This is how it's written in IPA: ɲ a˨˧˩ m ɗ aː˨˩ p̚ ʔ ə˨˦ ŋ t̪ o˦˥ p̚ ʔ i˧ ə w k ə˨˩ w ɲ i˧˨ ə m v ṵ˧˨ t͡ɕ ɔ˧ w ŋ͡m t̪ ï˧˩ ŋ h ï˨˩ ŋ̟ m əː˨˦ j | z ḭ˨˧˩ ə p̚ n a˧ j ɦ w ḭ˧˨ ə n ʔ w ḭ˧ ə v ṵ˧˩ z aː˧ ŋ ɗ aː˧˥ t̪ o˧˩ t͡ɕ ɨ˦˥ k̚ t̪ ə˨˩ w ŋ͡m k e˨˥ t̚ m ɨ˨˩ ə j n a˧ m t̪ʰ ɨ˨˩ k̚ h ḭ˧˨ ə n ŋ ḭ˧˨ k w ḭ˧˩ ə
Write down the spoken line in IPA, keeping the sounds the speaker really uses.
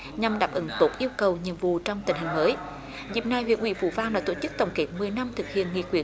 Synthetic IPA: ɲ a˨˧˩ m ɗ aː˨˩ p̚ ʔ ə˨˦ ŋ t̪ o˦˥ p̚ ʔ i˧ ə w k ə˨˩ w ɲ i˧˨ ə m v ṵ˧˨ t͡ɕ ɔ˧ w ŋ͡m t̪ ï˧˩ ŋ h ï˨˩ ŋ̟ m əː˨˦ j | z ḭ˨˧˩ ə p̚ n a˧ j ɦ w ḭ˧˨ ə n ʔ w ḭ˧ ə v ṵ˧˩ v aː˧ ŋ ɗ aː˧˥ t̪ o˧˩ t͡ɕ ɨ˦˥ k̚ t̪ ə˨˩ w ŋ͡m k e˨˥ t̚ m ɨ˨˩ ə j n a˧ m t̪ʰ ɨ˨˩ k̚ h ḭ˧˨ ə n ŋ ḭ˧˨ k w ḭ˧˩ ə